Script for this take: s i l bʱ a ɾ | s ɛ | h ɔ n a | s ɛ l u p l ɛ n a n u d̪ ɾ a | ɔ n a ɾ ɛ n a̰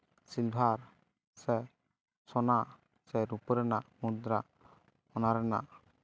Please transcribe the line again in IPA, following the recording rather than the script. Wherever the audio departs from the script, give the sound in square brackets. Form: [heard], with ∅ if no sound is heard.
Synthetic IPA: s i l bʱ a ɾ | s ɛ | [s] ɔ n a | s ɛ [ɾ] u p [ɾ] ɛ n a [m] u d̪ ɾ a | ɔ n a ɾ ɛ n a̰